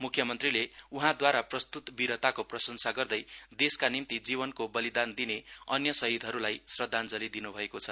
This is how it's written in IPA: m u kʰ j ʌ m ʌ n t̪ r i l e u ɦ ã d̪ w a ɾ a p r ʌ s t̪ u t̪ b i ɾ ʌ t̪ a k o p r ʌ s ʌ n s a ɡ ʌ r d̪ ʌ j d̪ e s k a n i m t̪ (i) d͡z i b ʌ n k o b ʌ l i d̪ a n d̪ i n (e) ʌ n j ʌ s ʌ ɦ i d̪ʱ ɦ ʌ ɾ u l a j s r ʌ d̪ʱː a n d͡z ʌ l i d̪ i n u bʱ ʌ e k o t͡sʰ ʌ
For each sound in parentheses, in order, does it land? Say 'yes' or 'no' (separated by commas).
yes, yes